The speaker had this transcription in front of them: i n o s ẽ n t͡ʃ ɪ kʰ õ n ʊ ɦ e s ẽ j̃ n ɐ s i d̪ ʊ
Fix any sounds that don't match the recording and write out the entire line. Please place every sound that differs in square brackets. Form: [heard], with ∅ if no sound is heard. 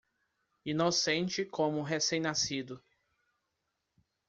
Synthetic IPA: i n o s ẽ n t͡ʃ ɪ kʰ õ [m] ʊ ɦ e s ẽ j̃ n [a] s i d̪ ʊ